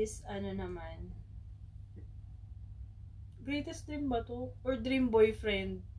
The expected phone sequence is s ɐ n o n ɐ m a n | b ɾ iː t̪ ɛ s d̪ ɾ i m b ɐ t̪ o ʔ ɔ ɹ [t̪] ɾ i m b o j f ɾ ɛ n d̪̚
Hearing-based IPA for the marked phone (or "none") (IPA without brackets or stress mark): d̪